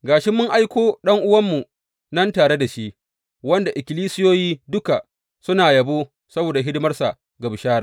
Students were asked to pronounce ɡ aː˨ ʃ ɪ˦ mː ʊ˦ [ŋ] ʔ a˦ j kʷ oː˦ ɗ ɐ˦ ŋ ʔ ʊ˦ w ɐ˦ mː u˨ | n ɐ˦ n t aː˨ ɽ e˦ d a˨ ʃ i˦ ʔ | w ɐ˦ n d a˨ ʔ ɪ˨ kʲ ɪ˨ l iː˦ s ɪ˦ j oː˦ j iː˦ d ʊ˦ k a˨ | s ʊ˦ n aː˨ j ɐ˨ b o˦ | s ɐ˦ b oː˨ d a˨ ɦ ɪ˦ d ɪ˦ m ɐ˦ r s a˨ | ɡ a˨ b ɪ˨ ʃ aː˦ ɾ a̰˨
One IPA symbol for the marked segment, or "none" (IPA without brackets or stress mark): ŋ